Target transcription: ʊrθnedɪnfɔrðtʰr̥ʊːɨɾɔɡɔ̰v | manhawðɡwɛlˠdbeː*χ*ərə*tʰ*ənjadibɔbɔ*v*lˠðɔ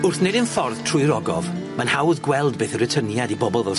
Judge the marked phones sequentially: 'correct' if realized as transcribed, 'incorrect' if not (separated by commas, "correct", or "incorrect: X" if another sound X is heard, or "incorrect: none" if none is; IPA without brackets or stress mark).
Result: incorrect: θ, correct, incorrect: none